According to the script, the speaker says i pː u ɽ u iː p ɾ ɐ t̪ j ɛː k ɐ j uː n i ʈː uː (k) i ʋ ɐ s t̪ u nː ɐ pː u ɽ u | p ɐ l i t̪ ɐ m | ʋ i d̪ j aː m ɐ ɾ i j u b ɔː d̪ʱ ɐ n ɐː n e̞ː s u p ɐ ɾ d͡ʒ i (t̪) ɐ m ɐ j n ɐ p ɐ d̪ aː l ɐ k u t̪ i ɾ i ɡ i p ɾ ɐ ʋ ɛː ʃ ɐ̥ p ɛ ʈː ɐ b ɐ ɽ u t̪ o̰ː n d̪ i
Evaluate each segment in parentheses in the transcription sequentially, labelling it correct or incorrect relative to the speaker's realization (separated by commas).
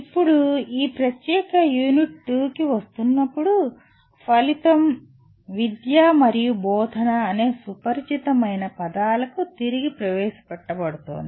correct, correct